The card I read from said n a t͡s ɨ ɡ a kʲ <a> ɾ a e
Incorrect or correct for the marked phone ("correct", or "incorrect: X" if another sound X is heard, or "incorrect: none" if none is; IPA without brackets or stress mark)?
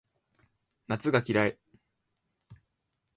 incorrect: i